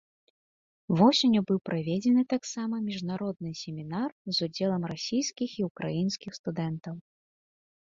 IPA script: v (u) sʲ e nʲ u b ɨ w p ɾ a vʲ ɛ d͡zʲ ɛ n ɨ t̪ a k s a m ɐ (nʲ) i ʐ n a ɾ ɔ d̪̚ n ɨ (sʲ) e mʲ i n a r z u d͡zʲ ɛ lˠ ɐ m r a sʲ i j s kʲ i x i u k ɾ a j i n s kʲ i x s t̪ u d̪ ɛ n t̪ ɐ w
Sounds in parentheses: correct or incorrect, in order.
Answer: incorrect: ɔ, incorrect: mʲ, correct

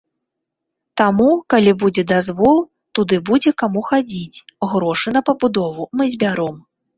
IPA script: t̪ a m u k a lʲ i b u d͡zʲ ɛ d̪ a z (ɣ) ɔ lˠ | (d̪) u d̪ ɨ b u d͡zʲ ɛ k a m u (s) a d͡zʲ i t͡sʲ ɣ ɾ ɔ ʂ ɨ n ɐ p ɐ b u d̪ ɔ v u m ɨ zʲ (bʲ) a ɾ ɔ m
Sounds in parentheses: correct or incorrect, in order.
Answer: incorrect: v, incorrect: t̪, incorrect: x, correct

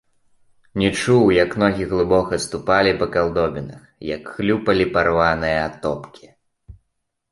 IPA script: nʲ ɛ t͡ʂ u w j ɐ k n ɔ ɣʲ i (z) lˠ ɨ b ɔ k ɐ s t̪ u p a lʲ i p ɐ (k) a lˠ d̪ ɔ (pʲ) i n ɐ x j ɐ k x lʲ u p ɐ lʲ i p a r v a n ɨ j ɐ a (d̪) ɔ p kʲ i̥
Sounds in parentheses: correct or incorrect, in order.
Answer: incorrect: ɣ, correct, incorrect: bʲ, incorrect: t̪

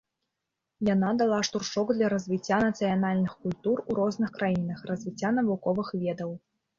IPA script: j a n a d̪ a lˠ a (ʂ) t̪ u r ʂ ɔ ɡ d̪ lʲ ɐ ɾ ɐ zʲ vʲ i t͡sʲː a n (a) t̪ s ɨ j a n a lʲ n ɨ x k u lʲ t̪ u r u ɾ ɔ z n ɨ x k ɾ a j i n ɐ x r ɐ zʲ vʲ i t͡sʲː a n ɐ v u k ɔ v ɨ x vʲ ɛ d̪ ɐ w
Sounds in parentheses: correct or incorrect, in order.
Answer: correct, incorrect: ɐ

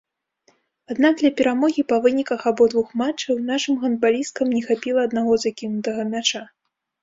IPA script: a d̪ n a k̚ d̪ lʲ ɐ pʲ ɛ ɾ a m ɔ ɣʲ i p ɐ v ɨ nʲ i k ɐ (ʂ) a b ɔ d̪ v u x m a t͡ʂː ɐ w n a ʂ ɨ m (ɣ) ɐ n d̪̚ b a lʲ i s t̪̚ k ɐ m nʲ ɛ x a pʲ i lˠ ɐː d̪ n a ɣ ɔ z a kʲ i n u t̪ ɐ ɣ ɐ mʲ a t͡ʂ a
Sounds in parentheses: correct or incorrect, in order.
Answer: incorrect: x, correct

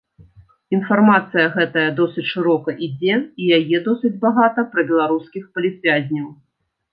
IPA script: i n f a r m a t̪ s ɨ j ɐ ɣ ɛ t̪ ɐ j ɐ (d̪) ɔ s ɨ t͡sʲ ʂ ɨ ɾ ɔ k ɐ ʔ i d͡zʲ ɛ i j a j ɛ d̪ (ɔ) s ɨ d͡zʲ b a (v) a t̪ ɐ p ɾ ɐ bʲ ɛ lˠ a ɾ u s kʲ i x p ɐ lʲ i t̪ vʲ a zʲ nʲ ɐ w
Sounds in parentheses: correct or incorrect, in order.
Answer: correct, correct, incorrect: ɣ

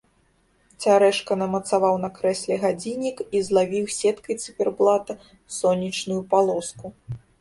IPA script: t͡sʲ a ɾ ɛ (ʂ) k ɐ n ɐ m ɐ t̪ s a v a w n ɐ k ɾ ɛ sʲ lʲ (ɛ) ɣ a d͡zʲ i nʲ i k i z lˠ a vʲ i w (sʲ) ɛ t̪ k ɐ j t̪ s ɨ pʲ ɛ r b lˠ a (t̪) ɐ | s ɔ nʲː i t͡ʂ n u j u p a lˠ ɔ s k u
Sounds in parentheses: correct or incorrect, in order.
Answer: correct, correct, correct, correct

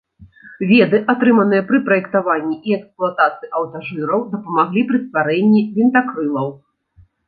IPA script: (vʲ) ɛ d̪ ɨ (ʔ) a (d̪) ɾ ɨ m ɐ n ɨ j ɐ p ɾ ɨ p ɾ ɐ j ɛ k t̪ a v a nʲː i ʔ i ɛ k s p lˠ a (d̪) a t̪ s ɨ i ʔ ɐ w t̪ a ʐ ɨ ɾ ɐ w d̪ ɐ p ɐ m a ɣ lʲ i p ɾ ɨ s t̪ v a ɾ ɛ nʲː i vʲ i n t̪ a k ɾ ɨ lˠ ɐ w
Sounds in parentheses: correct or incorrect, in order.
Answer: correct, correct, incorrect: t̪, incorrect: t̪

